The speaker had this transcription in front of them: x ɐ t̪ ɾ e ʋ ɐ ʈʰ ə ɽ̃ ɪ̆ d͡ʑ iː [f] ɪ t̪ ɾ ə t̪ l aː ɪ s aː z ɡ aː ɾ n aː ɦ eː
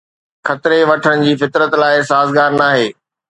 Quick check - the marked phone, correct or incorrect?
correct